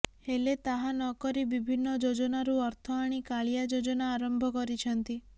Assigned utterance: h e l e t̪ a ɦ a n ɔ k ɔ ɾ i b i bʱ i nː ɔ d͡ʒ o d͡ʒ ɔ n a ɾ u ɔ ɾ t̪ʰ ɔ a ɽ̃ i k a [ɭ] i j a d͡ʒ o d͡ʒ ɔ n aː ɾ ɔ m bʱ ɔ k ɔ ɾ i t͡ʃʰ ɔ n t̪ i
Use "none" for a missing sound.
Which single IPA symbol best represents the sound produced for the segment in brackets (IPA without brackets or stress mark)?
ɭ